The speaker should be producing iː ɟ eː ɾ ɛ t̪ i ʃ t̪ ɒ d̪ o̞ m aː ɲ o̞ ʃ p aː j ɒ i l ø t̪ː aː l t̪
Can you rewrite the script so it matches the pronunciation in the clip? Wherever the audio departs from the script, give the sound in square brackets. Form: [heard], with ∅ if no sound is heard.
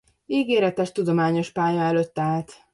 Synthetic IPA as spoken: iː [ɡ] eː ɾ ɛ t̪ [ɛ] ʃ t̪ [u] d̪ o̞ m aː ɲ o̞ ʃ p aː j ɒ [ɛ] l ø t̪ː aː l t̪